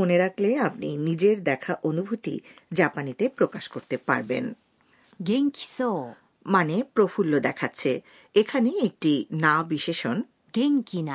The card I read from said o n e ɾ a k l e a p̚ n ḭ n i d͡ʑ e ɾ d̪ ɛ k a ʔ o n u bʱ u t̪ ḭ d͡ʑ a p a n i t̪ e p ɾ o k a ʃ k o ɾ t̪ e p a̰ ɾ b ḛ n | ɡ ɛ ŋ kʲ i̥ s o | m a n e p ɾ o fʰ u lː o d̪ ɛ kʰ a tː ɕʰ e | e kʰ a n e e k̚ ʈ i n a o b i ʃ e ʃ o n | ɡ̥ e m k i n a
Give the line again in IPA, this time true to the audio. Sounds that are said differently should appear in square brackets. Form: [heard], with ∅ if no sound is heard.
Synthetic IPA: o n e ɾ a k l e a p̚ n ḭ n i d͡ʑ e ɾ d̪ ɛ [kʰ] a ʔ o n u bʱ u t̪ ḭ d͡ʑ a p a n i t̪ e p ɾ o k a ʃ k o ɾ t̪ e p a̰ ɾ b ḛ n | ɡ [e] ŋ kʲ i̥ s o | m a n e p ɾ o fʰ u lː o d̪ ɛ kʰ a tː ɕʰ e | e kʰ a n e e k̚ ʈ i n a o b i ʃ e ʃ o n | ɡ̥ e [ŋ] k i n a